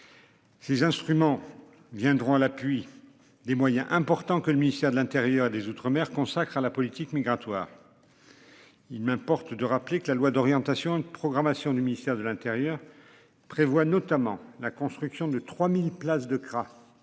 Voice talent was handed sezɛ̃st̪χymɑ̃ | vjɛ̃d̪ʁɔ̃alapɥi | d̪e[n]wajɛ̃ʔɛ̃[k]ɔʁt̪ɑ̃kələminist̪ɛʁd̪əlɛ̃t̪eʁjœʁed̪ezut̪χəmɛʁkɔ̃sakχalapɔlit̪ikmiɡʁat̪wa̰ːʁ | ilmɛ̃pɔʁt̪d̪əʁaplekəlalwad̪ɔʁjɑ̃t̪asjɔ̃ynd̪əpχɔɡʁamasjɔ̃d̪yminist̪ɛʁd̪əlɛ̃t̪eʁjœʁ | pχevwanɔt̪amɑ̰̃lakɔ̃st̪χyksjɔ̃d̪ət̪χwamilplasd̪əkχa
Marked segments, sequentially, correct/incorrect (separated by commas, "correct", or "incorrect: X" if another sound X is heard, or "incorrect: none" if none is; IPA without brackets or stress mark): incorrect: m, incorrect: p